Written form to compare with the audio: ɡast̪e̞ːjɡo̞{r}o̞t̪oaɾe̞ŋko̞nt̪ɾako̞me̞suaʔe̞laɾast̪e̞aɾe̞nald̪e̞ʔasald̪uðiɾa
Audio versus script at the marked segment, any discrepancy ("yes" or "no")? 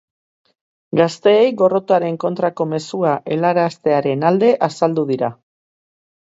no